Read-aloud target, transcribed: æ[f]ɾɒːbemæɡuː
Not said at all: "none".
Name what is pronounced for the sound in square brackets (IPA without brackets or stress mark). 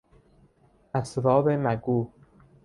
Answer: s